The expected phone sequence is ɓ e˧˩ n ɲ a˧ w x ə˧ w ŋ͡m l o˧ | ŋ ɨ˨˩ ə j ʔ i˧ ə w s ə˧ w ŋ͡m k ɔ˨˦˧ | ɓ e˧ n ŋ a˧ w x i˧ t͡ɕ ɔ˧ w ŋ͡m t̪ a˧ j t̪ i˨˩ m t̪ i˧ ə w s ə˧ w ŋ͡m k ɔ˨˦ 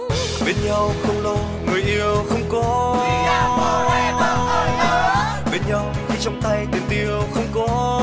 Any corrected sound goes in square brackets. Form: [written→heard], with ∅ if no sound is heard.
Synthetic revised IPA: ɓ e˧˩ n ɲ a˧ w x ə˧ w ŋ͡m l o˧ | ŋ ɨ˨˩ ə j ʔ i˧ ə w [s→x] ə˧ w ŋ͡m k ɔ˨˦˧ | ɓ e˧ n [ŋ→ɲ] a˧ w x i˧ t͡ɕ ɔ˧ w ŋ͡m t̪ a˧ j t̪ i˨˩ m t̪ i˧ ə w [s→x] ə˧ w ŋ͡m k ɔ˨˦